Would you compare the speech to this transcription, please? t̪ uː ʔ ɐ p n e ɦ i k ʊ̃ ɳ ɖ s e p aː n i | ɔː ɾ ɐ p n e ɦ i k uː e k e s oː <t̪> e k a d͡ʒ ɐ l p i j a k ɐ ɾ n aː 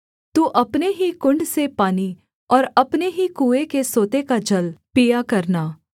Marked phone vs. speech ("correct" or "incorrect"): correct